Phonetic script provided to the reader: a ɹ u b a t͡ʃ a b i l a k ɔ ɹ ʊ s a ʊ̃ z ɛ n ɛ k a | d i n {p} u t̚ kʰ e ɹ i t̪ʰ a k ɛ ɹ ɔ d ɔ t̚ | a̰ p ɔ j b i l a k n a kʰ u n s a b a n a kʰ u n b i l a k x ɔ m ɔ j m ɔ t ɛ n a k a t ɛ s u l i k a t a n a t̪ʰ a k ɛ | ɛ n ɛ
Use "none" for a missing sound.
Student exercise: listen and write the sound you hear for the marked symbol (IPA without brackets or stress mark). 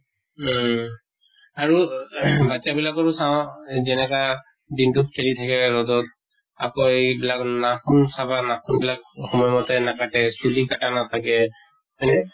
t